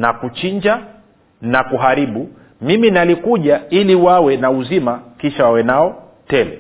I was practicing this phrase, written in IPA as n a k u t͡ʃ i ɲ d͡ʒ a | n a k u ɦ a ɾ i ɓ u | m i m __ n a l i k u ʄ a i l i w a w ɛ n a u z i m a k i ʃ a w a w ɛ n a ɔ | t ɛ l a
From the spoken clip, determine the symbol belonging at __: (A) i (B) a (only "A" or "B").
A